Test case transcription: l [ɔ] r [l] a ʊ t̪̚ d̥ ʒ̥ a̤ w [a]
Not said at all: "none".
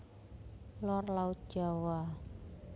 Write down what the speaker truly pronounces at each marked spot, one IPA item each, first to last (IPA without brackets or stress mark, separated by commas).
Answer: ɔ, l, a